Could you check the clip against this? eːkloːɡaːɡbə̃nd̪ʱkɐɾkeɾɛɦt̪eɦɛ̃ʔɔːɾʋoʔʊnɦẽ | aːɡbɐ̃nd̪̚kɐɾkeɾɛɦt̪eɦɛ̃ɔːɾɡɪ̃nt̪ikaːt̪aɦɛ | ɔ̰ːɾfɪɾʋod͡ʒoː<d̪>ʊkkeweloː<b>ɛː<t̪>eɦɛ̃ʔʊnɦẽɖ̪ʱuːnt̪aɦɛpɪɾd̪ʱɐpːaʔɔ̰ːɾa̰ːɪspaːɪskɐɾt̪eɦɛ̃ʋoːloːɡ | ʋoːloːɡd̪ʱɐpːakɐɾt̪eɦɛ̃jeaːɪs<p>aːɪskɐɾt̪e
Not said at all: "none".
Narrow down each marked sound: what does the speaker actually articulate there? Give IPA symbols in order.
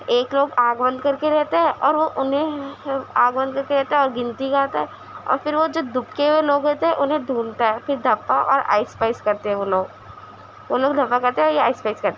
d̪, ɡ, t̪, p

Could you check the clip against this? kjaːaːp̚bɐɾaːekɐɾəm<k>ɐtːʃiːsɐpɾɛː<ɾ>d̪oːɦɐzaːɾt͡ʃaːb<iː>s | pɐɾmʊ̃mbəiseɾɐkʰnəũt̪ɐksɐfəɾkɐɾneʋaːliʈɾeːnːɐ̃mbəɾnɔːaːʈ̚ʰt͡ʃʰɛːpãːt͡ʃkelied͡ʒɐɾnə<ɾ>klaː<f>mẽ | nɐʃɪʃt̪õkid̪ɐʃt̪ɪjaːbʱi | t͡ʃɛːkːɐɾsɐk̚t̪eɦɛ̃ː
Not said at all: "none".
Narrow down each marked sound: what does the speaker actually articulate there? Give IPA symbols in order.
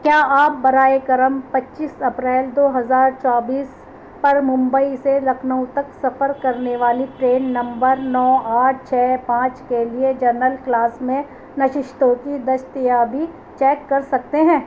p, l, iː, l, s

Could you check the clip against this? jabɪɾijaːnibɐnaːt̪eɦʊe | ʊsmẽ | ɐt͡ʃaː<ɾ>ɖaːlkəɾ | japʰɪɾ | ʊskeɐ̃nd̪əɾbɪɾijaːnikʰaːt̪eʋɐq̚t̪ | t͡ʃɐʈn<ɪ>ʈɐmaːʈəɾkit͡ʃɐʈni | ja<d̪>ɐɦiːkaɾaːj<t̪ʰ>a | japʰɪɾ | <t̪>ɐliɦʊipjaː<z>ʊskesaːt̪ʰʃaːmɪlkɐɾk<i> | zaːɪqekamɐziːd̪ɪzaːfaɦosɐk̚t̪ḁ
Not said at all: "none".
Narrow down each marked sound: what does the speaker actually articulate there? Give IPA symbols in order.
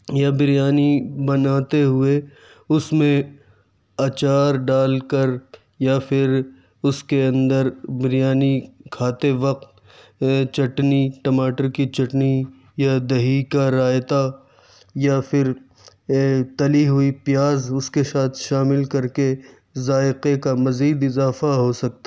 ɾ, i, d̪, t̪, t̪, z, e

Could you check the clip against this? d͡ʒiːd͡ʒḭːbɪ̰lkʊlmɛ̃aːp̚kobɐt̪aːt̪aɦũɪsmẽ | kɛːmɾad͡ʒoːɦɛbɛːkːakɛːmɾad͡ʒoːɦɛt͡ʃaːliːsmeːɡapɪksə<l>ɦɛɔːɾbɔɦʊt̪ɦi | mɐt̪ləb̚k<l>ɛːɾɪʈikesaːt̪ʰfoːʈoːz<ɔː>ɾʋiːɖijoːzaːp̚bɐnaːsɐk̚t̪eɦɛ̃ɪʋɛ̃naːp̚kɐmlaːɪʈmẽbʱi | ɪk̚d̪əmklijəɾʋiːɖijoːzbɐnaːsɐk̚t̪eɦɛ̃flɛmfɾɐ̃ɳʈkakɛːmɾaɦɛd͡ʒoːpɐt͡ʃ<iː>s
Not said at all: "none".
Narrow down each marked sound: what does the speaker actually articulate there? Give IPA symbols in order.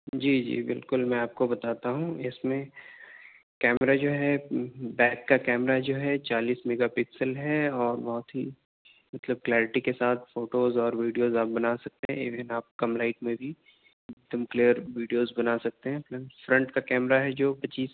l, l, ɔː, iː

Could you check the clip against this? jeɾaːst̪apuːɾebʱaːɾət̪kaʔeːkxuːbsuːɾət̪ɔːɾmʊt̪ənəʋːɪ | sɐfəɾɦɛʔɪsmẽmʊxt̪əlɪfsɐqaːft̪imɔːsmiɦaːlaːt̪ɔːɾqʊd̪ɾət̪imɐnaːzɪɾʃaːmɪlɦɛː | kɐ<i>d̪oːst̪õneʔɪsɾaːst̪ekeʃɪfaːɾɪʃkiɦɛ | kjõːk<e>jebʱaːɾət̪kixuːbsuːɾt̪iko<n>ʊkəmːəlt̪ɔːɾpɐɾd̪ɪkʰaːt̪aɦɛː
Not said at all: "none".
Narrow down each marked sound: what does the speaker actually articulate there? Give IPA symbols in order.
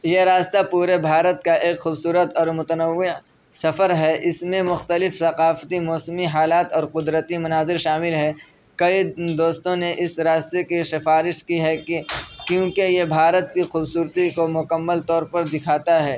i, e, m

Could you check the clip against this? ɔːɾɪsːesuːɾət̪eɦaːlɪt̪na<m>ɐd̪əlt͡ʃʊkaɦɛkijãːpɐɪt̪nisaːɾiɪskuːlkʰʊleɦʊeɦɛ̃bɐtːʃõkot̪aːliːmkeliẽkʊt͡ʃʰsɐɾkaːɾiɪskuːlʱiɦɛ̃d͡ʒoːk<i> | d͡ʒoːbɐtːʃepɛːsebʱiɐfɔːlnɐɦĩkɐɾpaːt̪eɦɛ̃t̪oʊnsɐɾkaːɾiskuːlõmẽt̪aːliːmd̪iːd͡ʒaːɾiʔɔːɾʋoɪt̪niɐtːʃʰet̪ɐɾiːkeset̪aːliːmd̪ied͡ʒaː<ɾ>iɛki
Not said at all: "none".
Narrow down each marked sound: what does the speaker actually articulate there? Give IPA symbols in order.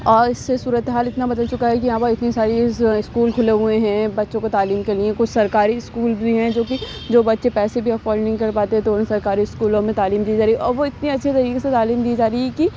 b, i, ɾ

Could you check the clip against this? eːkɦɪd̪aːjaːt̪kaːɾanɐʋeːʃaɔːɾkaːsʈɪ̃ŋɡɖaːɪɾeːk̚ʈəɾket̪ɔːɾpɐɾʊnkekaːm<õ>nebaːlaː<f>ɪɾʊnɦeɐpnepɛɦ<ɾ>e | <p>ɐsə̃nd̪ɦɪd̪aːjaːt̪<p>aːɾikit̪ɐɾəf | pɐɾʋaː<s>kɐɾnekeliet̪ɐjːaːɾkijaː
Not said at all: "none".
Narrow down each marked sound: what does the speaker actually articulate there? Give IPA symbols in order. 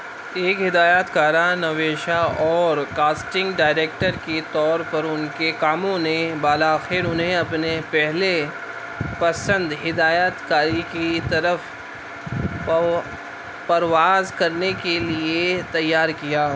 õ, x, l, p, k, z

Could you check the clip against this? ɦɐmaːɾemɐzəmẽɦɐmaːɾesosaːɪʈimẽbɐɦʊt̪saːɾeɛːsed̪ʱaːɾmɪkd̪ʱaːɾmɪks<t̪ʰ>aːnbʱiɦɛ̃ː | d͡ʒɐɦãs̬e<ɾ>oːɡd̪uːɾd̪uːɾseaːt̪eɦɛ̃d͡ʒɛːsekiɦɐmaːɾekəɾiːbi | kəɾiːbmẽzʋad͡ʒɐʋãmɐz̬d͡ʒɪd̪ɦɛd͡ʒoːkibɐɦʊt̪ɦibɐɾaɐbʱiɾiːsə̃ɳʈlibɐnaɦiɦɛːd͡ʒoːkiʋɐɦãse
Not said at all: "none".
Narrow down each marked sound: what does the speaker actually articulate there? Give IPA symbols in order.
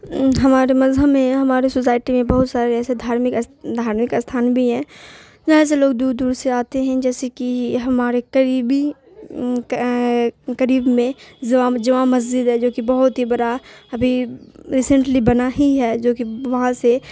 t̪ʰ, l

